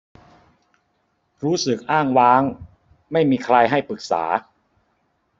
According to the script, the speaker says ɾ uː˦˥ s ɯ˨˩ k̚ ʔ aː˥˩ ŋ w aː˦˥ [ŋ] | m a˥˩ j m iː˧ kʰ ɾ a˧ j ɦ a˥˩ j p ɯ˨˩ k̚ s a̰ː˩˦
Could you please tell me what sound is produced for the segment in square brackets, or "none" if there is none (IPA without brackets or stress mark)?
ŋ